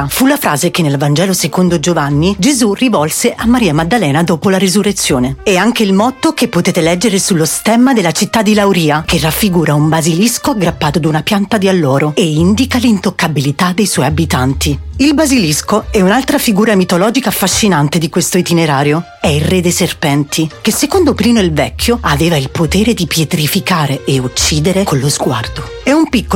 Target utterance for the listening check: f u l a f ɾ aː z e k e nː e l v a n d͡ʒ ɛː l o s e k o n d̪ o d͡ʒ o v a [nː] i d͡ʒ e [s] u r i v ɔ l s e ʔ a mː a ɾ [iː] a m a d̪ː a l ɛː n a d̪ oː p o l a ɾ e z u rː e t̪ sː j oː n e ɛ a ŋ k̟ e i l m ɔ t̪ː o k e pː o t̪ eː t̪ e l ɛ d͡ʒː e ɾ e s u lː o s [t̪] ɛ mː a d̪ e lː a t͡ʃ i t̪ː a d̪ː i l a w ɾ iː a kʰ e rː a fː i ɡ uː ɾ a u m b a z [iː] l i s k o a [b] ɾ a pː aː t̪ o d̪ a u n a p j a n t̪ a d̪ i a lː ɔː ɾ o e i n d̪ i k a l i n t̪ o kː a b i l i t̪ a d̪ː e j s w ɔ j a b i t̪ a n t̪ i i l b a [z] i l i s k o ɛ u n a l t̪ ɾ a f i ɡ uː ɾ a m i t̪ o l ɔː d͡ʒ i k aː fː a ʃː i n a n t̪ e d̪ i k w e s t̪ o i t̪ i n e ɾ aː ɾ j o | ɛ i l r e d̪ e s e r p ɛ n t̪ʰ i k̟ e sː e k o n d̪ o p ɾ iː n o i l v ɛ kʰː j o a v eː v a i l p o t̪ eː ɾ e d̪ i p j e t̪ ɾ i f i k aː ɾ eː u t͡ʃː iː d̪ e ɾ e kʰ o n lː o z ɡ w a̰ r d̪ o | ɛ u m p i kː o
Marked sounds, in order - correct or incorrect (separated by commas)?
correct, incorrect, correct, correct, incorrect, incorrect, correct